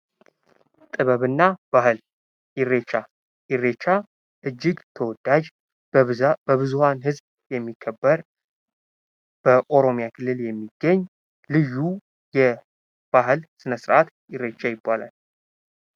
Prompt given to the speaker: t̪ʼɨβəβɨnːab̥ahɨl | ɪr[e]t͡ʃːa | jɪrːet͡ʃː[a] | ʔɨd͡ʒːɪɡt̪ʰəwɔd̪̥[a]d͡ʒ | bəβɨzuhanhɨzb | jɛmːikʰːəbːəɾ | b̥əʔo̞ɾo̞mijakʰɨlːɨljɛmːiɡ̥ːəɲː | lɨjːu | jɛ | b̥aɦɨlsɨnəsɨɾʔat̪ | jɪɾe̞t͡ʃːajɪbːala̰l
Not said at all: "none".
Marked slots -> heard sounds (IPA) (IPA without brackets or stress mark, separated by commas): e, a, a